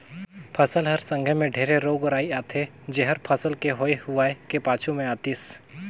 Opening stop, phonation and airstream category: aspirated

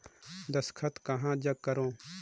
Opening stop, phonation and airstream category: plain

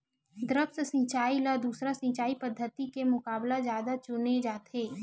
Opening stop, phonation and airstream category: plain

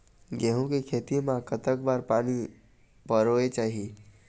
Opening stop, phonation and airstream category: plain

